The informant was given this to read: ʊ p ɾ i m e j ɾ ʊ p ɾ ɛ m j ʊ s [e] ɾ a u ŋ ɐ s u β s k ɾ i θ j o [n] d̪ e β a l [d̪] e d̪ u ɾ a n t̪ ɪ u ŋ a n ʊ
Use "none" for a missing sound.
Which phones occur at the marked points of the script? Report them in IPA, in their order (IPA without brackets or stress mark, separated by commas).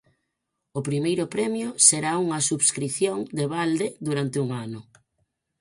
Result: e, ŋ, d̪